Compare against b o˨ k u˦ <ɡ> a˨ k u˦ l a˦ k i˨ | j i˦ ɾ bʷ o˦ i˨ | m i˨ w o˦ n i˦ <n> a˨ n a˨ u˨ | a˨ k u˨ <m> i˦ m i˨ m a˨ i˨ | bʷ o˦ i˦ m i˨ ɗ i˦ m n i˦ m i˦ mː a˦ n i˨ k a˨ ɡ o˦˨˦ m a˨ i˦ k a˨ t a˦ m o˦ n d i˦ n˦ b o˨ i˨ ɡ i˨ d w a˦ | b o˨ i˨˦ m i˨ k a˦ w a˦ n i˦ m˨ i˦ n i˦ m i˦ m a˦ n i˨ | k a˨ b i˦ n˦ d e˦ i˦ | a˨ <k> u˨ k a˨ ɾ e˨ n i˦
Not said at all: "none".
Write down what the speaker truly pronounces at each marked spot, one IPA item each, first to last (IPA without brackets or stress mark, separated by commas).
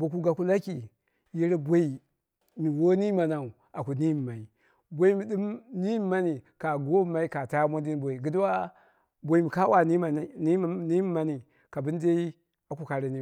ɡ, m, n, k